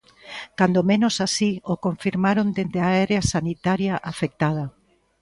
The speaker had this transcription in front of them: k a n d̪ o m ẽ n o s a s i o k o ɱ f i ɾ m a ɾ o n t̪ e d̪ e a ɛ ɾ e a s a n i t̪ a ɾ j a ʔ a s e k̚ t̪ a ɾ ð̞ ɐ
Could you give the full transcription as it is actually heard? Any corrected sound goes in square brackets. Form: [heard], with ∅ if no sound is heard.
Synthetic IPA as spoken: k a n d̪ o m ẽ n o s a s i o k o ɱ f i ɾ m a ɾ o n [d̪] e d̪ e a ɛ ɾ e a s a n i t̪ a ɾ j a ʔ a [f] e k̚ t̪ a [∅] ð̞ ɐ